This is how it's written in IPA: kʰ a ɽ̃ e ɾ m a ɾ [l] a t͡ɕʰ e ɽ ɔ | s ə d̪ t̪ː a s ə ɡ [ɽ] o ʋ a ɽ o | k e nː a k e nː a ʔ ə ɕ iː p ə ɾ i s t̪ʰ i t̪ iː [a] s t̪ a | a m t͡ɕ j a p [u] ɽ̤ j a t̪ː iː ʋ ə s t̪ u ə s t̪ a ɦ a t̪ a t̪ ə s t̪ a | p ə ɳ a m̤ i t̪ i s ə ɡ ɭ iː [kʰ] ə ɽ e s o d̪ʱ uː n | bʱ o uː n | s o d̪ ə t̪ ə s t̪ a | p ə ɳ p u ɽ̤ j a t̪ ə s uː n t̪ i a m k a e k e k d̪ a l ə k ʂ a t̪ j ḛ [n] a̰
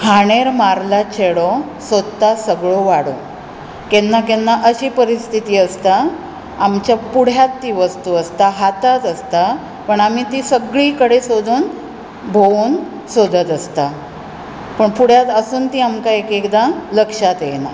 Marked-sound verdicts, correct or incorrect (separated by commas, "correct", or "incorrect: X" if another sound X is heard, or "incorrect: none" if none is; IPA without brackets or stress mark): correct, incorrect: ɭ, incorrect: ə, correct, incorrect: k, correct